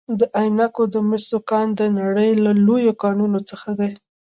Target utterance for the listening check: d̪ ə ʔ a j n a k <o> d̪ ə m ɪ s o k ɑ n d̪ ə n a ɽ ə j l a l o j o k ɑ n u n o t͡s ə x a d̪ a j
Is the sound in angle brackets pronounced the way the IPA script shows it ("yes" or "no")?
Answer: yes